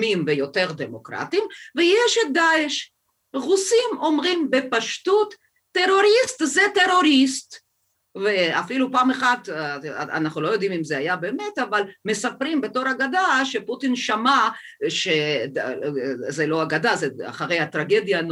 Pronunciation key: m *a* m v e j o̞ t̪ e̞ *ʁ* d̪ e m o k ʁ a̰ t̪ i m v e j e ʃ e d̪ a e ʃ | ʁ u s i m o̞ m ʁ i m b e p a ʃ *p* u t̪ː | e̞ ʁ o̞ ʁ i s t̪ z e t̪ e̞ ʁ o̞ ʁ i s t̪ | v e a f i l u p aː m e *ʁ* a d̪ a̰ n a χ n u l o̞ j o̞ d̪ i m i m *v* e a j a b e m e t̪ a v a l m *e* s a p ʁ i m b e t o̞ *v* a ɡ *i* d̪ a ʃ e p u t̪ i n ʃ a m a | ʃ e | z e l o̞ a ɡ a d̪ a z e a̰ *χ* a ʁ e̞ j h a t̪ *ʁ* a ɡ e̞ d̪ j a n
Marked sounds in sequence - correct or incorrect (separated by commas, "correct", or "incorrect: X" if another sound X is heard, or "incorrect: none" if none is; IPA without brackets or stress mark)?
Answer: incorrect: i, correct, incorrect: t, incorrect: χ, incorrect: z, correct, incorrect: ʁ, incorrect: a, correct, correct